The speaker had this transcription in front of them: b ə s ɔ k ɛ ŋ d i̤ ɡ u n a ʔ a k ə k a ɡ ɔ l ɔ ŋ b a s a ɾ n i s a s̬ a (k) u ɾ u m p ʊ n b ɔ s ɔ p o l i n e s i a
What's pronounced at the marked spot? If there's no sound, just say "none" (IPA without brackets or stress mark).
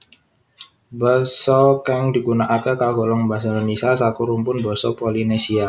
k